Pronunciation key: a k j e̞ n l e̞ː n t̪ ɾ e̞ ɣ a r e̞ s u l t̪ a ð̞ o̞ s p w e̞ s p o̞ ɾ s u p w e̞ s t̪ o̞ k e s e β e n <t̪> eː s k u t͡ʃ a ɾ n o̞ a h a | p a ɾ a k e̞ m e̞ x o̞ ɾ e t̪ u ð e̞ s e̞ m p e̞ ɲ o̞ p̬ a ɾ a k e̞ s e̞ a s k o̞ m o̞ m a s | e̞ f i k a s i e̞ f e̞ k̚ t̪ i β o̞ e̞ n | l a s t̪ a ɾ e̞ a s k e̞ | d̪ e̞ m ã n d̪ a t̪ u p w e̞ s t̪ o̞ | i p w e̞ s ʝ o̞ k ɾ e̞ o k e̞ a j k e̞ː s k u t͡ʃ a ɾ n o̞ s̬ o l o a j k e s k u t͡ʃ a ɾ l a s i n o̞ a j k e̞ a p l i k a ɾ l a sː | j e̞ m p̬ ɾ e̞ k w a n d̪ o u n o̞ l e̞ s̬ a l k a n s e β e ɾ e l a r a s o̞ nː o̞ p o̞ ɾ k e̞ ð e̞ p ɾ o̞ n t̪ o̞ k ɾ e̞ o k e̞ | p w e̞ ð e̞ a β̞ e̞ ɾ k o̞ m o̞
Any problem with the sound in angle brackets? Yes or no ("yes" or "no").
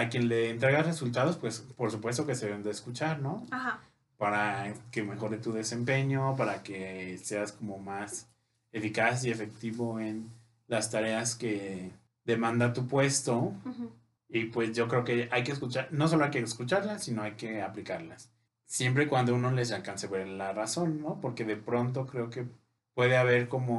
yes